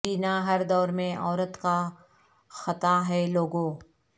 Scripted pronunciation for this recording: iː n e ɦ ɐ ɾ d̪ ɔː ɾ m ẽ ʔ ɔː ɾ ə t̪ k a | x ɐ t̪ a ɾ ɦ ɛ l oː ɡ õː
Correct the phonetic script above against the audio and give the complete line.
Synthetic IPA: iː n a ɦ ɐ ɾ d̪ ɔː ɾ m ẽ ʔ ɔː ɾ ə t̪ k a | x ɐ t̪ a ɦ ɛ l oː ɡ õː